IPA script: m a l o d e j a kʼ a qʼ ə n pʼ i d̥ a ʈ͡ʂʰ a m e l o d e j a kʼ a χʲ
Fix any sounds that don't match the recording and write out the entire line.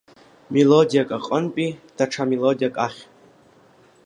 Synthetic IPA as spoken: m e l o d i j a kʼ a qʼ ə n pʼ i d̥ a ʈ͡ʂʰ a m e l o d i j a kʼ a χʲ